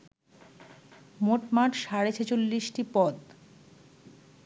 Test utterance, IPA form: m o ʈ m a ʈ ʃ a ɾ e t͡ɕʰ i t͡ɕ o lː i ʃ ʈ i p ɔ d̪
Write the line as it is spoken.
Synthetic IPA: m o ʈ m a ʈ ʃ a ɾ e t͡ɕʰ e t͡ɕ o lː i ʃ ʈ i p ɔ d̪